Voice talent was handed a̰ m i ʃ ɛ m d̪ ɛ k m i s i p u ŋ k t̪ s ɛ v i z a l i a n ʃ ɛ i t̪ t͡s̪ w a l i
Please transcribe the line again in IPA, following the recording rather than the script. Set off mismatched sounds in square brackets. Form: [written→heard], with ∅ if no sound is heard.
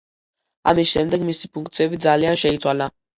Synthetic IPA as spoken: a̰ m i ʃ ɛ m d̪ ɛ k m i s i p u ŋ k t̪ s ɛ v i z a l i a n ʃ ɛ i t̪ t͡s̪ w a l [i→a]